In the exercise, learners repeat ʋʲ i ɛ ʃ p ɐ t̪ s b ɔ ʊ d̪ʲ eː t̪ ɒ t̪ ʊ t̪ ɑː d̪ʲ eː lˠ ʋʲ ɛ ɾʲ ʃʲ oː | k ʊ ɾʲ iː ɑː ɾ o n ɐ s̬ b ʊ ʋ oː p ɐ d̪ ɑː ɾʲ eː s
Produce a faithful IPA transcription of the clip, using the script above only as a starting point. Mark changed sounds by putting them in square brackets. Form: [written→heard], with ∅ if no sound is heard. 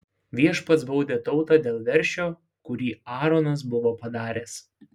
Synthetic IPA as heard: ʋʲ i ɛ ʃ p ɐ t̪ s b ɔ ʊ d̪ʲ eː t̪ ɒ [t̪→∅] ʊ t̪ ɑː d̪ʲ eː lˠ ʋʲ ɛ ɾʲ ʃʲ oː | k ʊ ɾʲ iː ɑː ɾ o n ɐ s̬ b ʊ ʋ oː p ɐ d̪ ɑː ɾʲ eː s